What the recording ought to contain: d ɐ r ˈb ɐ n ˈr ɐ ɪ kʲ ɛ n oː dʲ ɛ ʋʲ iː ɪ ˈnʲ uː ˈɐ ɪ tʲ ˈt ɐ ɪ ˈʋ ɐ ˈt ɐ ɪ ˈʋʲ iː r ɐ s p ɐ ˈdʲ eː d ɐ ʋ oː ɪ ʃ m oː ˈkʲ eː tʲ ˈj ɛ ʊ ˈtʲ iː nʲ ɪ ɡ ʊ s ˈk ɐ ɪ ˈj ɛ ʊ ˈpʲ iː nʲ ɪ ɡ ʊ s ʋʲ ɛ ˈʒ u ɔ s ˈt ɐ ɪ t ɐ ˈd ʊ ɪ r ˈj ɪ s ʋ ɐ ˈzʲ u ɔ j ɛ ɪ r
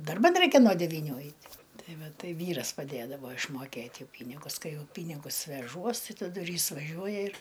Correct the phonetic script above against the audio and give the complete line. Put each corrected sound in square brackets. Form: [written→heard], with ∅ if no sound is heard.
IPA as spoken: d ɐ r ˈb ɐ n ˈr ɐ ɪ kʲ ɛ n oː dʲ ɛ ʋʲ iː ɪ ˈnʲ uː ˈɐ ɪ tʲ ˈt ɐ ɪ ˈʋ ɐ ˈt ɐ ɪ ˈʋʲ iː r ɐ s p ɐ ˈdʲ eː d ɐ ʋ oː ɪ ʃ m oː ˈkʲ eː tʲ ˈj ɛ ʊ [ˈtʲ→ˈpʲ] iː nʲ ɪ ɡ ʊ s ˈk ɐ ɪ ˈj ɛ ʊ ˈpʲ iː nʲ ɪ ɡ ʊ s ʋʲ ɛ ˈʒ u ɔ s ˈt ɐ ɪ t ɐ ˈd ʊ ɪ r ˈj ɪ s ʋ ɐ [ˈzʲ→ˈʒʲ] u ɔ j ɛ ɪ r